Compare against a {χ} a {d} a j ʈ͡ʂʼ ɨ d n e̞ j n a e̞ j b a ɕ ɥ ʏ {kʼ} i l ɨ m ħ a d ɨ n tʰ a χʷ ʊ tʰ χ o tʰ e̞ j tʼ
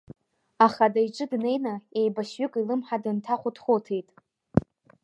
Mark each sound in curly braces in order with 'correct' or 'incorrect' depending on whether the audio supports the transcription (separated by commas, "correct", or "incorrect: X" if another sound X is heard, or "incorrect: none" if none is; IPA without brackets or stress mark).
correct, correct, correct